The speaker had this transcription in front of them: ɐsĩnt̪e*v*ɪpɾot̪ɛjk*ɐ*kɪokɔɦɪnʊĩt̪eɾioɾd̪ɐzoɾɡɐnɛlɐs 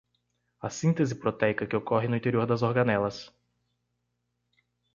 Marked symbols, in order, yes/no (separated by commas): no, yes